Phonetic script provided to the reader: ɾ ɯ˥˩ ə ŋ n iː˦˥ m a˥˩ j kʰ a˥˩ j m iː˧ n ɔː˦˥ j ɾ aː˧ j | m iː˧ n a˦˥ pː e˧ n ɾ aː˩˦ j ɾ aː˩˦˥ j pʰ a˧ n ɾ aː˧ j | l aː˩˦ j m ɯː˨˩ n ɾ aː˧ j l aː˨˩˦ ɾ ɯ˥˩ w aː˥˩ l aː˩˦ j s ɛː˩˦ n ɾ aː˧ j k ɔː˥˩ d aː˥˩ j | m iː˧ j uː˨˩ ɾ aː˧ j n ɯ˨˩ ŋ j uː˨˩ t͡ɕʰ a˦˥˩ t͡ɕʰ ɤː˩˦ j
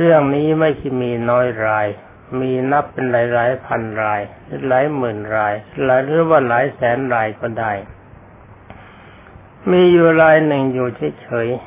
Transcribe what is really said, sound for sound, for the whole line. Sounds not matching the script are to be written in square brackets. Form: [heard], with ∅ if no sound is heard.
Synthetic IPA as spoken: ɾ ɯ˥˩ ə ŋ n iː˦˥ m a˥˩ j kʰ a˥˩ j m iː˧ n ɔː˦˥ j ɾ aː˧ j | m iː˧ n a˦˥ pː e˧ n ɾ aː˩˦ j ɾ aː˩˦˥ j pʰ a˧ n ɾ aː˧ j | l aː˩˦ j m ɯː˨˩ n ɾ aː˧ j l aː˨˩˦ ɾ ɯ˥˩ w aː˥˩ l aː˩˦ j s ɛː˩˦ n ɾ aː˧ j k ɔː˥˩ d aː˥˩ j | m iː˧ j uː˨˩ ɾ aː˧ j n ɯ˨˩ ŋ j uː˨˩ t͡ɕʰ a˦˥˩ t͡ɕʰ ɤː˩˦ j